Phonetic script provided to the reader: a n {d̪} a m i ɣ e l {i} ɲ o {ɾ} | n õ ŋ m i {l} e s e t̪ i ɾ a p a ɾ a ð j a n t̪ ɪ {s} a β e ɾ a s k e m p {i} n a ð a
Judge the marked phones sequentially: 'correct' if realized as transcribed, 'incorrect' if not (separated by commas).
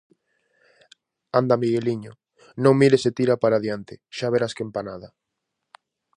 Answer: correct, correct, incorrect, incorrect, incorrect, incorrect